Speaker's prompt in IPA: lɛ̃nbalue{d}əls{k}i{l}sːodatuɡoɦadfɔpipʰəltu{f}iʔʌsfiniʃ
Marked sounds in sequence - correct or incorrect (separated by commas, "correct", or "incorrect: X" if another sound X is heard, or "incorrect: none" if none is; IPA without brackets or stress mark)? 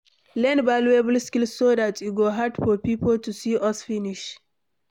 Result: incorrect: b, correct, correct, incorrect: s